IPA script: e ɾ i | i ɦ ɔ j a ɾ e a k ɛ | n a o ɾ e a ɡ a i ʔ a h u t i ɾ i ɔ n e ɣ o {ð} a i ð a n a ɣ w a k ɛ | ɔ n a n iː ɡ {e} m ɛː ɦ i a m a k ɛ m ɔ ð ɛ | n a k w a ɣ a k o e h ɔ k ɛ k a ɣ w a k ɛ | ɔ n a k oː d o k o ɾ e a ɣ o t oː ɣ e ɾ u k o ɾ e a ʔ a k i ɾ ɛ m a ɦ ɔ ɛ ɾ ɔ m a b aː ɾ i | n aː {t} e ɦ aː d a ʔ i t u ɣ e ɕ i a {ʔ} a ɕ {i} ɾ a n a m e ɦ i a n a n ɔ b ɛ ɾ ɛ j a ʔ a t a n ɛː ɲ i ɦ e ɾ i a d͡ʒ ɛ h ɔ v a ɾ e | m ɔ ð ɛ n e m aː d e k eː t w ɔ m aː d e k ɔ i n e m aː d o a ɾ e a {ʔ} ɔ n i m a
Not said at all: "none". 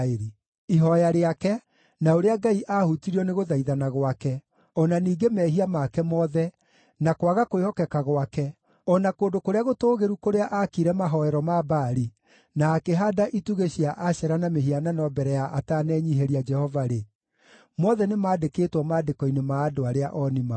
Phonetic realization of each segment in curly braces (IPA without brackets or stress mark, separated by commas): ð, e, k, ʔ, ɛ, ʔ